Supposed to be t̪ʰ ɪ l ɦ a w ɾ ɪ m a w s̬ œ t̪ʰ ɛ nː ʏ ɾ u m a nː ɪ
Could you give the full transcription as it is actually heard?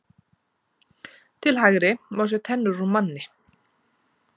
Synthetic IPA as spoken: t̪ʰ ɪ l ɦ a ɣ ɾ ɪ m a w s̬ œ t̪ʰ ɛ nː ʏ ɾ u m a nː ɪ